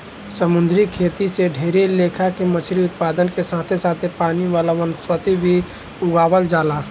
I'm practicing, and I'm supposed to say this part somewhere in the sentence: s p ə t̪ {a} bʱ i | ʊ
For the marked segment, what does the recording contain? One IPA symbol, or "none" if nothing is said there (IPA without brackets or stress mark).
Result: i